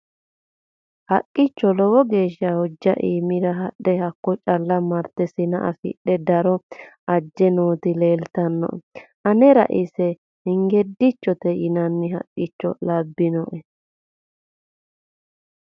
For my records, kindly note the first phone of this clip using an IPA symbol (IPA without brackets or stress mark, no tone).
h